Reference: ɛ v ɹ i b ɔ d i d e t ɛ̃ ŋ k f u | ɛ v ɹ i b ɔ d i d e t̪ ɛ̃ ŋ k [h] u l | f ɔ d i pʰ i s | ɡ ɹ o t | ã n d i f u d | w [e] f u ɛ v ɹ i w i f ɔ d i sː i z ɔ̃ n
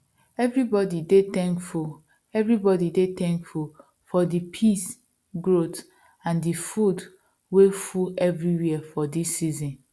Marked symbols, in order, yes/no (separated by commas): no, yes